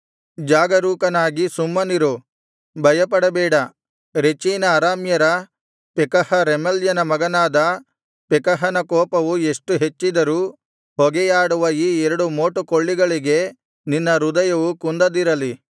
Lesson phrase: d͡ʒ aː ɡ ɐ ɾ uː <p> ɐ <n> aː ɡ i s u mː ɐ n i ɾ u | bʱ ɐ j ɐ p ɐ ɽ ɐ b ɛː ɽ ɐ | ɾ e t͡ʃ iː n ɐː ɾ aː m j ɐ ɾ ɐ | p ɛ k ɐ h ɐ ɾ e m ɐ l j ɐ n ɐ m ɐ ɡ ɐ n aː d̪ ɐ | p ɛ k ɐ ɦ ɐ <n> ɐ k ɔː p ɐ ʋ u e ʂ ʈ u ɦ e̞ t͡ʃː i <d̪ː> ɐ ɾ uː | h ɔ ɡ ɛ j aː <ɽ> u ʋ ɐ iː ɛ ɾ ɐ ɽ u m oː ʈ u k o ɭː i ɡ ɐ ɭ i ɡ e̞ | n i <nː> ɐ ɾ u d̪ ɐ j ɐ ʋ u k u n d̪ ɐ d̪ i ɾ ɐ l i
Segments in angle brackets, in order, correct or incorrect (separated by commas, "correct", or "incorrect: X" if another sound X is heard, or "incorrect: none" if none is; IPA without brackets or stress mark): incorrect: k, correct, correct, incorrect: d̪, correct, correct